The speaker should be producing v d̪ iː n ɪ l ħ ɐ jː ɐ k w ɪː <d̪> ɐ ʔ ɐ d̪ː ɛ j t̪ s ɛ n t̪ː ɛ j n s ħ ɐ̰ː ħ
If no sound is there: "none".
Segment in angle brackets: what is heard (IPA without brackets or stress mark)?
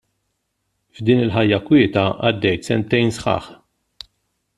t̪